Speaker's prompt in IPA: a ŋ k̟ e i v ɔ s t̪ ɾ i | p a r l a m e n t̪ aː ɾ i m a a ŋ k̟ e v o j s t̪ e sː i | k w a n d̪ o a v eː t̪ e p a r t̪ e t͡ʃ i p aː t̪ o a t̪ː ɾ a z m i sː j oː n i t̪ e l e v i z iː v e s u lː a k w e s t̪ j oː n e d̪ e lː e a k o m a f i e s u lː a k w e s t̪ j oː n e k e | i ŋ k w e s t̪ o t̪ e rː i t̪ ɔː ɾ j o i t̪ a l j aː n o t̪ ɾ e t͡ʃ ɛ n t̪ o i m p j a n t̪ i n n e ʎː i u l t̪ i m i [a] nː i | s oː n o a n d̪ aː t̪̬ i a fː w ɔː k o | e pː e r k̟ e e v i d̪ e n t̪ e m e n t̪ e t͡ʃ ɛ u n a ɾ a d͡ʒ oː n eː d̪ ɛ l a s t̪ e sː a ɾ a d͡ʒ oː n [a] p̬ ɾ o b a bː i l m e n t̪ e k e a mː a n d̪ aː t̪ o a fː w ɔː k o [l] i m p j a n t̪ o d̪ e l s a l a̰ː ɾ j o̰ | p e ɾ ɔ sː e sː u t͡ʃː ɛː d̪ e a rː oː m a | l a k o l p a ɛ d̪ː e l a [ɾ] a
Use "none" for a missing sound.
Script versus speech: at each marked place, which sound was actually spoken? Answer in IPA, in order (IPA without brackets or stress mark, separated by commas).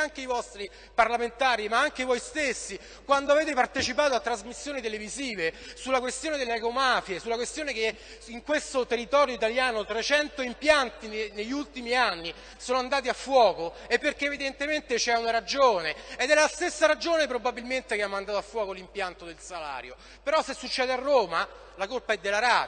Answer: a, e, l, ɾ